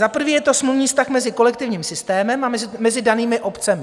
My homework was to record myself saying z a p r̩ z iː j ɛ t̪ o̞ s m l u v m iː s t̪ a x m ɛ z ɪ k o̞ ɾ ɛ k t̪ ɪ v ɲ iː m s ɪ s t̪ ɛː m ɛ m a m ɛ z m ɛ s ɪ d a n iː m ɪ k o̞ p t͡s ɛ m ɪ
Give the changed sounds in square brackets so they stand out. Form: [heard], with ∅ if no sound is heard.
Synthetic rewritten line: z a p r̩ [v] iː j ɛ t̪ o̞ s m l u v [ɲ] iː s t̪ a x m ɛ z ɪ k o̞ [l] ɛ k t̪ ɪ v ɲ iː m s ɪ s t̪ ɛː m ɛ m a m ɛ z m ɛ [z] ɪ d a n iː m ɪ [ʔ] o̞ p t͡s ɛ m ɪ